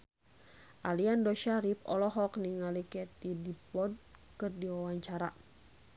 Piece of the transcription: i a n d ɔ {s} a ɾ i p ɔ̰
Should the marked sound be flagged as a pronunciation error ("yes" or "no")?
yes